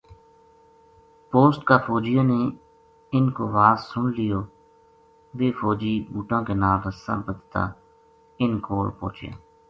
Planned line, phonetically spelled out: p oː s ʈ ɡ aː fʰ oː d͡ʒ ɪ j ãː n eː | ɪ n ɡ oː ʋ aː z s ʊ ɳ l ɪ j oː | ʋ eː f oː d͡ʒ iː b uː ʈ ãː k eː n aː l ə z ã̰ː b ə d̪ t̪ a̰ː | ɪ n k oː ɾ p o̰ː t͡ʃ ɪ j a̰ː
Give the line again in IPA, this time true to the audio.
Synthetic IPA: p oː s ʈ k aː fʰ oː d͡ʒ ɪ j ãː n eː | ɪ n k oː ʋ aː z s ʊ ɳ l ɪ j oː | ʋ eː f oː d͡ʒ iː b uː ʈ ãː k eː n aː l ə s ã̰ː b ə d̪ t̪ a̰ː | ɪ n k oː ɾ p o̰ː t͡ʃ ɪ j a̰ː